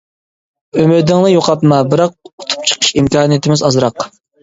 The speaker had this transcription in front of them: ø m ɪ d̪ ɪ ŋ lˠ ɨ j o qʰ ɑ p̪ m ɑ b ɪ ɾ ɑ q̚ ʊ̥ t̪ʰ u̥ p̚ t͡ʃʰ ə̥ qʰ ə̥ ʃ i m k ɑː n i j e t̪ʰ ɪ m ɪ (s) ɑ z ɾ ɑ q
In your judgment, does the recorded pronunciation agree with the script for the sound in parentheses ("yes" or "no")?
no